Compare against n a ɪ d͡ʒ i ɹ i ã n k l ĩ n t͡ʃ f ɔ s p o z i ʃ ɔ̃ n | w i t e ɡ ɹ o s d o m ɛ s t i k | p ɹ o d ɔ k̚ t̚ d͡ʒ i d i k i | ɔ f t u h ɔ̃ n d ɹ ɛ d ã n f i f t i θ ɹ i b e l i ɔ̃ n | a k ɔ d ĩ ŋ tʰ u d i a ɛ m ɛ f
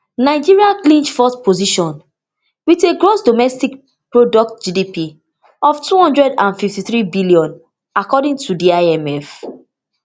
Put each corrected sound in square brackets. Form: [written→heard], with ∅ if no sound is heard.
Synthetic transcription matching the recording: n a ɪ d͡ʒ i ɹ i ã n k l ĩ n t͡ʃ f ɔ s p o z i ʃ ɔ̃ n | w i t e ɡ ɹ o s d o m ɛ s t i k | p ɹ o d ɔ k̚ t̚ d͡ʒ i d i [k→p] i | ɔ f t u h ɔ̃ n d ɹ ɛ d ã n f i f t i θ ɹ i b [e→i] l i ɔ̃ n | a k ɔ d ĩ ŋ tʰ u d i a ɛ m ɛ f